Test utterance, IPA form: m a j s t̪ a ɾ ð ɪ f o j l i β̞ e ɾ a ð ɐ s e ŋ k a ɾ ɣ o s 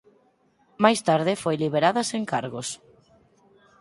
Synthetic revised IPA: m a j s t̪ a ɾ ð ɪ f o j l i β̞ e ɾ a ð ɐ s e ŋ k a ɾ ɣ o s

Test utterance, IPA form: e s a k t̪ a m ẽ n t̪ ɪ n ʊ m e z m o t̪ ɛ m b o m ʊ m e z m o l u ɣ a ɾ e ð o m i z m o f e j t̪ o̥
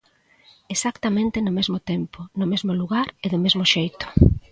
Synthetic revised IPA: e s a k t̪ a m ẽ n t̪ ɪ n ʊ m e z m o t̪ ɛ m p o n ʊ m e z m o l u ɣ a ɾ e ð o m e z m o ʃ e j t̪ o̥

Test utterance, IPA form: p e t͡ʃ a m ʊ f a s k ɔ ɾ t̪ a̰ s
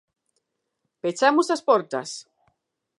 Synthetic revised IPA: p e t͡ʃ a m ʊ s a s p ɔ ɾ t̪ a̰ s

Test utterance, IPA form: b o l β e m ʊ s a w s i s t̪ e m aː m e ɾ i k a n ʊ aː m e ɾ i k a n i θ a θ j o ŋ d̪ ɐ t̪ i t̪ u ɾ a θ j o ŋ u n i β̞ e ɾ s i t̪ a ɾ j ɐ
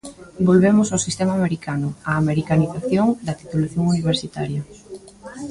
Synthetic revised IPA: b o l β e m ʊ s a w s i s t̪ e m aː m e ɾ i k a n ʊ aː m e ɾ i k a n i θ a θ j o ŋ d̪ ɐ t̪ i t̪ u l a θ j o ŋ u n i β̞ e ɾ s i t̪ a ɾ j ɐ

